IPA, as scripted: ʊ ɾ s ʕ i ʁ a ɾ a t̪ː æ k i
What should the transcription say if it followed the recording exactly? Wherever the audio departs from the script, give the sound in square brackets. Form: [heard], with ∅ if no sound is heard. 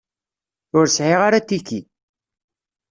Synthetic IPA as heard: ʊ ɾ s ʕ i ʁ a ɾ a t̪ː [i] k i